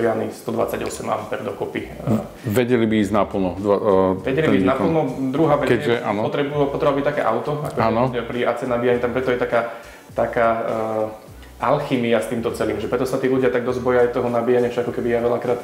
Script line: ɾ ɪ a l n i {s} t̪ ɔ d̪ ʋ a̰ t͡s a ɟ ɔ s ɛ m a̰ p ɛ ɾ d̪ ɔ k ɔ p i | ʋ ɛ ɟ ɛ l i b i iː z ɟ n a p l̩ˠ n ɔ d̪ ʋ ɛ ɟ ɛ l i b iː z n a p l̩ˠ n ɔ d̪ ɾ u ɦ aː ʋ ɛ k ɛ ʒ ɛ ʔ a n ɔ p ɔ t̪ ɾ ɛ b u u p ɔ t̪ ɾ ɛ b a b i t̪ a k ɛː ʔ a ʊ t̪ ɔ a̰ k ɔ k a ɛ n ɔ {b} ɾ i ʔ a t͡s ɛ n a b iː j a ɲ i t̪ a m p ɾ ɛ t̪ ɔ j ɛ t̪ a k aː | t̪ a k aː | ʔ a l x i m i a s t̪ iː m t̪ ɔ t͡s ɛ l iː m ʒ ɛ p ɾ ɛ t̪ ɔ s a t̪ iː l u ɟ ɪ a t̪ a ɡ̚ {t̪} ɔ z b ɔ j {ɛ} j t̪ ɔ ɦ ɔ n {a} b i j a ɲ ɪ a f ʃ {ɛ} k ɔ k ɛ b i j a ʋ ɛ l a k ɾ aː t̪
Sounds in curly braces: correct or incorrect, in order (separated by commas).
correct, incorrect, incorrect, incorrect, correct, incorrect